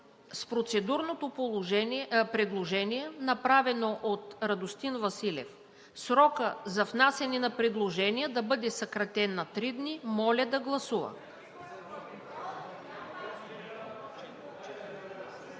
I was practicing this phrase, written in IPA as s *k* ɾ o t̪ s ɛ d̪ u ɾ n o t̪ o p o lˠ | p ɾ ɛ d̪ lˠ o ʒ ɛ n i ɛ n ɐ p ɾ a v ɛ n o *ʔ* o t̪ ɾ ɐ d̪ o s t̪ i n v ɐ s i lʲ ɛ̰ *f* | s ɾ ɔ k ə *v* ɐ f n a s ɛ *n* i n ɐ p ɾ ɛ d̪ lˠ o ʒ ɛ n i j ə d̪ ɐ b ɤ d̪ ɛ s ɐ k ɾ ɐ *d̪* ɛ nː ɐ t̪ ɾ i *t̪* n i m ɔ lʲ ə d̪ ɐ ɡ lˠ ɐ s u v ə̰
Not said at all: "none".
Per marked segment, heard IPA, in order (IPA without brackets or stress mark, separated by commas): p, ʔ, f, z, n, t̪, d̪